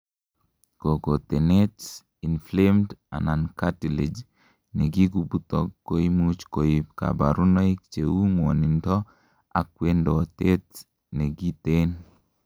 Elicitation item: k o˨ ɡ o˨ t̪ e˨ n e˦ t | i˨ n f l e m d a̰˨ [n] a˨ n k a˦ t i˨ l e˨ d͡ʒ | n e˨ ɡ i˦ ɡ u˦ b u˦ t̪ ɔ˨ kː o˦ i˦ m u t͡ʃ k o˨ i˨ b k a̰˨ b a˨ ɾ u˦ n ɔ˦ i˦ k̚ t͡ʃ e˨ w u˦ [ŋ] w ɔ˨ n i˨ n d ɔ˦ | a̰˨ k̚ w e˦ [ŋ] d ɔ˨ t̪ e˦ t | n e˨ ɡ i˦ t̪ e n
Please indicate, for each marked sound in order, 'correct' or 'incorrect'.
correct, correct, incorrect: n

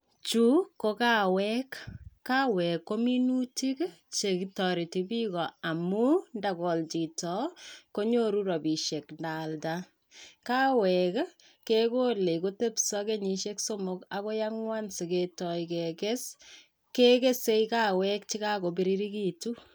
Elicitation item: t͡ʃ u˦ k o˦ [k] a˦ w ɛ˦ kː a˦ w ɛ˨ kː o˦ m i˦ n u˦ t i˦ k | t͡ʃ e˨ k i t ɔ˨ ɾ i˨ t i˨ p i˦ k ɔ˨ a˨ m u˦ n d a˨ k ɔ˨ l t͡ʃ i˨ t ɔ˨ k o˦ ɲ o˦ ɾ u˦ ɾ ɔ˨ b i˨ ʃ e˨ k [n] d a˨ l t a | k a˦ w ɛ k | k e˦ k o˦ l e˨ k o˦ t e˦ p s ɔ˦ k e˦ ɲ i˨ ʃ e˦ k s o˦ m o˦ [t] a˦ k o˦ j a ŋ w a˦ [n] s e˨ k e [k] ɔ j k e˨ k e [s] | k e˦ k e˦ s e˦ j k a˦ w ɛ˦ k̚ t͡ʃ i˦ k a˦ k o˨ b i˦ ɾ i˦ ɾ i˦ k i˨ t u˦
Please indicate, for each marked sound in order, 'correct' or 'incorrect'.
correct, correct, incorrect: k, correct, incorrect: t, correct

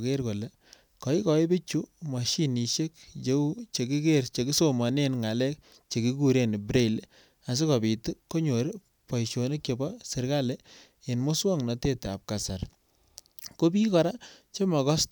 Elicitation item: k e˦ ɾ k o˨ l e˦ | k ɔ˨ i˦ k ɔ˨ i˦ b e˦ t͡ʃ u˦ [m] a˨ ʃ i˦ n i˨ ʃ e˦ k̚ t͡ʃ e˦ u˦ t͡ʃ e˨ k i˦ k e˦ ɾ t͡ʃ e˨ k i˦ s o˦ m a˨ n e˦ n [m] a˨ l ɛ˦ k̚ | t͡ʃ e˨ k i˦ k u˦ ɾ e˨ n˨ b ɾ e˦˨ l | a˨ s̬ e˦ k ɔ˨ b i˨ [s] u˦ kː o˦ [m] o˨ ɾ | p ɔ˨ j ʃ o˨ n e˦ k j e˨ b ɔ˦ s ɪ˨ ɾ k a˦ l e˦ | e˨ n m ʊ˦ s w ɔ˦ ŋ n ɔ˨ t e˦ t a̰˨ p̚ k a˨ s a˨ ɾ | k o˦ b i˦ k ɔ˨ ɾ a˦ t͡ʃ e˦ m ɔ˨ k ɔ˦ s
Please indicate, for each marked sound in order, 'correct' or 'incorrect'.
correct, incorrect: ŋ, incorrect: t, incorrect: ɲ

